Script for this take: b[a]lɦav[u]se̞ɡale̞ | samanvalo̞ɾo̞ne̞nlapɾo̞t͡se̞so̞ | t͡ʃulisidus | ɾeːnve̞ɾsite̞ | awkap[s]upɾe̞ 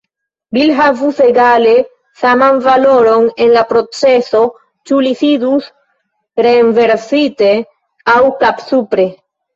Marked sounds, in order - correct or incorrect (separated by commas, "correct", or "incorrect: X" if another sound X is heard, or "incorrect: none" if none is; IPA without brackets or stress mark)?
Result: incorrect: i, correct, correct